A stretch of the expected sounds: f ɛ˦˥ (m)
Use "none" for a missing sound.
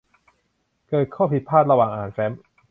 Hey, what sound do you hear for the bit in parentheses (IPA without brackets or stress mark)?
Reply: m